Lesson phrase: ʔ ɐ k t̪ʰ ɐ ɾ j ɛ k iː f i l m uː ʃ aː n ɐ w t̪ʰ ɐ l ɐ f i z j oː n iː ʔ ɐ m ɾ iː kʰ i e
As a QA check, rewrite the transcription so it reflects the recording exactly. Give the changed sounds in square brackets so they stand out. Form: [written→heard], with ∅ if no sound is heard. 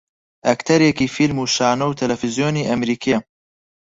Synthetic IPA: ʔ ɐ k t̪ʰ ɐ ɾ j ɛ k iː f i l m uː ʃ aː n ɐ w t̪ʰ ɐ l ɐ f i z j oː n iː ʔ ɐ m ɾ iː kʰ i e